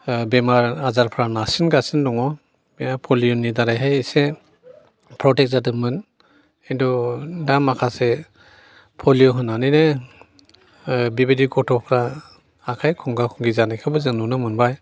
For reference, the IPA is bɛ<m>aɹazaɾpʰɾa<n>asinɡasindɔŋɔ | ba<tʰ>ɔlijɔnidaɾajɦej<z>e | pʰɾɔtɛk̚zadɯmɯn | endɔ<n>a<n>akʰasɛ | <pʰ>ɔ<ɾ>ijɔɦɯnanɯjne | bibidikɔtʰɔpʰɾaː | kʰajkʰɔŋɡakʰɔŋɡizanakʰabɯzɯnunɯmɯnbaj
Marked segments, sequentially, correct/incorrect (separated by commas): correct, correct, incorrect, incorrect, incorrect, incorrect, correct, incorrect